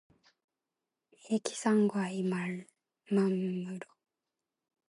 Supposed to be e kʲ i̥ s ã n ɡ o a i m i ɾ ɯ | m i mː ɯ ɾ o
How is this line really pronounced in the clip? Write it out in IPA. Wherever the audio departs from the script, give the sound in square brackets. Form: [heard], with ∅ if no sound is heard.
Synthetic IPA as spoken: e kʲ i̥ s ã [ŋ] ɡ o a i m [a] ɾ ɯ | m [a] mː ɯ ɾ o